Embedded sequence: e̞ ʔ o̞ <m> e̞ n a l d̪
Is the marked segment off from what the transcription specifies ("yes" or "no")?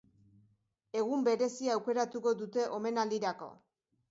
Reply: no